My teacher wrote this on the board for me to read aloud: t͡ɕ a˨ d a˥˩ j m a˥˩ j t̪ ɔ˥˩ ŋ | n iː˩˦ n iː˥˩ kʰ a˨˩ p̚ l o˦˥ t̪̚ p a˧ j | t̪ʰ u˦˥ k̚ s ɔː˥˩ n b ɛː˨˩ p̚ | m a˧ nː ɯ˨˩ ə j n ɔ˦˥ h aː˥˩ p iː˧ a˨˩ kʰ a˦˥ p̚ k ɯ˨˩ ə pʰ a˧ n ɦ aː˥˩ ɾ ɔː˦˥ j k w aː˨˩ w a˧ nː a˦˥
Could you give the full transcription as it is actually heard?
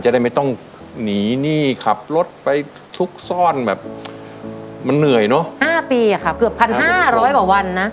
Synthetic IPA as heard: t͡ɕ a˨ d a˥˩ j m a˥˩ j t̪ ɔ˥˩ ŋ | n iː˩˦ n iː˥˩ kʰ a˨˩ p̚ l o˦˥ t̪̚ p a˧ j | t̪ʰ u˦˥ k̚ s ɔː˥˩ n b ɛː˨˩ p̚ | m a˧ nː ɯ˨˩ ə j n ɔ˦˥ h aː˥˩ p iː˧ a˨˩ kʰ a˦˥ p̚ k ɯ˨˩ ə pʰ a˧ n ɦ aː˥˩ ɾ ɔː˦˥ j k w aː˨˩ w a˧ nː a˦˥